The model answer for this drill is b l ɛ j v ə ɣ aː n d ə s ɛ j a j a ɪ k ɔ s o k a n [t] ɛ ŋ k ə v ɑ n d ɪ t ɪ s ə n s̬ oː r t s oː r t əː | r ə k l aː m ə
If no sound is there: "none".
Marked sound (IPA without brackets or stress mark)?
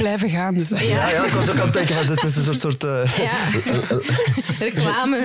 t